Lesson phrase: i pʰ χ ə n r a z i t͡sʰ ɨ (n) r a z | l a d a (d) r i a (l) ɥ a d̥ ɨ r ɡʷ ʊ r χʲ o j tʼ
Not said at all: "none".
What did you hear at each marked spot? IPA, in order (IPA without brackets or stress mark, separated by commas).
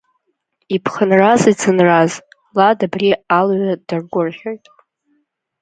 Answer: n, b, l